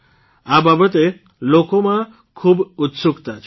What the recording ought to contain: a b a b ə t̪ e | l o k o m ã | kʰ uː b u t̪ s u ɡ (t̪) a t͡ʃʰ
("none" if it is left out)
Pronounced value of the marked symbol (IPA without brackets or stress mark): t̪